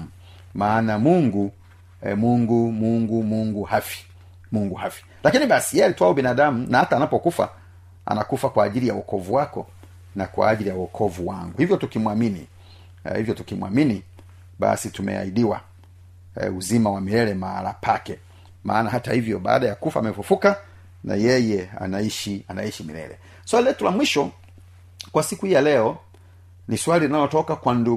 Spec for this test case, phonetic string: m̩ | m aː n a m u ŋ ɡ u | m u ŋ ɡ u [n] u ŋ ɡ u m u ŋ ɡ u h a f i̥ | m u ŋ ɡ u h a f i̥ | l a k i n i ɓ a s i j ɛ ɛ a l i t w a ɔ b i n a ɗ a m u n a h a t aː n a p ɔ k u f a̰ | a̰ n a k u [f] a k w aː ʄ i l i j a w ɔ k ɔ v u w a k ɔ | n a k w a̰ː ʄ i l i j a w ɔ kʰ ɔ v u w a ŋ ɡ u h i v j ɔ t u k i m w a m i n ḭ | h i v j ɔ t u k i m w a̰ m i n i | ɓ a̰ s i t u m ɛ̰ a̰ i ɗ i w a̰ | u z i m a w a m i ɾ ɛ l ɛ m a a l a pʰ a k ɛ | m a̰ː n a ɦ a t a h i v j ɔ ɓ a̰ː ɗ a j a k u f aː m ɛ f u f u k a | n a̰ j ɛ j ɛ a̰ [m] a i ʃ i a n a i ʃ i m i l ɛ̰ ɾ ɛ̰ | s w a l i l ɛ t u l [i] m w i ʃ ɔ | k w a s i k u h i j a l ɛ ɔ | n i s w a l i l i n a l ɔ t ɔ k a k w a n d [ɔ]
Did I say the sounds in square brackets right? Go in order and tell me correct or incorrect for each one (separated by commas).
incorrect, correct, incorrect, incorrect, incorrect